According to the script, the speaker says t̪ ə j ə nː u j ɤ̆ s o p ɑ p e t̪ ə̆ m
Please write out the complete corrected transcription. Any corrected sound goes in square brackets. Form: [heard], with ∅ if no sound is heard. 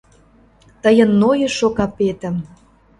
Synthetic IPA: t̪ ə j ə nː [o] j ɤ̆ [ʃ] o [k] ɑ p e t̪ ə̆ m